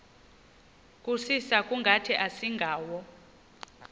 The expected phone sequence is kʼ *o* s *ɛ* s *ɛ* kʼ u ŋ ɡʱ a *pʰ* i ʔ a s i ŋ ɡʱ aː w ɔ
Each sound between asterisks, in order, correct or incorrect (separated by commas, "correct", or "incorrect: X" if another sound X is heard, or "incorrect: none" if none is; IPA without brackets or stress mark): incorrect: u, incorrect: i, incorrect: a, incorrect: tʰ